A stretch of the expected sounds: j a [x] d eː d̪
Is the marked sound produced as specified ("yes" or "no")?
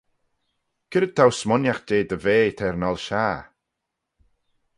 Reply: yes